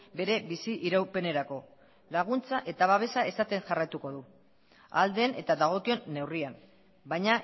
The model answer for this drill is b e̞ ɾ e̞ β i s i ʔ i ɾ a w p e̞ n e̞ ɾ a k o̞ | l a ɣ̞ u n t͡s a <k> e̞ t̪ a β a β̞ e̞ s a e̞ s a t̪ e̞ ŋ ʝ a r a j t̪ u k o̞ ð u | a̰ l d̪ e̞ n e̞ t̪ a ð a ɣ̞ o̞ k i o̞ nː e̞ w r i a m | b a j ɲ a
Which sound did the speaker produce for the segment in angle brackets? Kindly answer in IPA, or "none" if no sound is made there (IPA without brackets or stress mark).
ʔ